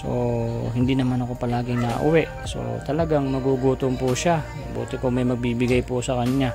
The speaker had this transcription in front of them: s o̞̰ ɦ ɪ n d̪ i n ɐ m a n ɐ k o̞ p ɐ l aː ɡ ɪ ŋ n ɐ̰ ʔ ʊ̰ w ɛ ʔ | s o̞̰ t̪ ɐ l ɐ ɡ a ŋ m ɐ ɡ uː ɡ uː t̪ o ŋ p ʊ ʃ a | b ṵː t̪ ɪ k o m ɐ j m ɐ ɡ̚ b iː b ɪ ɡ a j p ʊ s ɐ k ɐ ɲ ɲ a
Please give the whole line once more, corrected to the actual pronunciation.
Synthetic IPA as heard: s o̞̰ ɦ ɪ n d̪ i n ɐ m a n ɐ k o̞ p ɐ l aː ɡ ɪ ŋ n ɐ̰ ʔ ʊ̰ w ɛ ʔ | s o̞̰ t̪ ɐ l ɐ ɡ a ŋ m ɐ ɡ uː ɡ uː t̪ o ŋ p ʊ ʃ a | b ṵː t̪ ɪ k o m ɐ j m ɐ ɡ̚ b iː b ɪ ɡ a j p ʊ s ɐ k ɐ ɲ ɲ a